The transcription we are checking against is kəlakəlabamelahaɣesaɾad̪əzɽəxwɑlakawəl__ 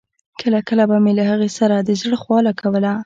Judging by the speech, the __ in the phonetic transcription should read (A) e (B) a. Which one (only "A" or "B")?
B